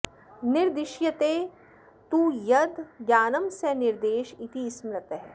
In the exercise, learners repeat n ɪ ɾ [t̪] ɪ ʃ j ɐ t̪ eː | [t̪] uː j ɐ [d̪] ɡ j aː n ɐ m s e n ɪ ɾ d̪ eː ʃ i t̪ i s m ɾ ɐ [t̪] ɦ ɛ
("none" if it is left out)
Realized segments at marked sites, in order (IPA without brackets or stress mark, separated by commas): d̪, t̪, d̪, t̪